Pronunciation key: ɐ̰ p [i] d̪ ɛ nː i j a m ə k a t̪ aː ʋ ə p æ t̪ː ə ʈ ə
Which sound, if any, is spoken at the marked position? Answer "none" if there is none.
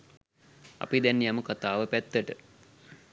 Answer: i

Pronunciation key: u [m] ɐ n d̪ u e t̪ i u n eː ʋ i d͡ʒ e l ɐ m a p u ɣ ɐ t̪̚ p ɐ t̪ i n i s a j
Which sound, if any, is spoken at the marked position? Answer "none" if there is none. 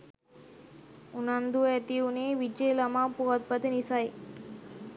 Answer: n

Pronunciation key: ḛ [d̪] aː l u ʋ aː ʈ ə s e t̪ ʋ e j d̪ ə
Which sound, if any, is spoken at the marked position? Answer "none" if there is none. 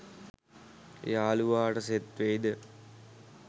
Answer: none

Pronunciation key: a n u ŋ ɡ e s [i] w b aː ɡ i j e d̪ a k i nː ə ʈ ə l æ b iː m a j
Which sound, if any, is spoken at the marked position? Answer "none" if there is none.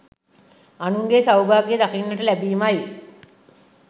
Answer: a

